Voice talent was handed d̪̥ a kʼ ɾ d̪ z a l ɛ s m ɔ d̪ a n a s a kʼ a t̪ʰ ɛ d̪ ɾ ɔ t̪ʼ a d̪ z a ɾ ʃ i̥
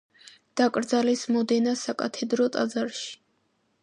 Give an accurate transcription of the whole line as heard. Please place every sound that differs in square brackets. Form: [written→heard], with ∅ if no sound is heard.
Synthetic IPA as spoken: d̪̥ a kʼ ɾ d̪ z a l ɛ s m ɔ d̪ [a→ɛ] n a s a kʼ a t̪ʰ ɛ d̪ ɾ ɔ t̪ʼ a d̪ z a ɾ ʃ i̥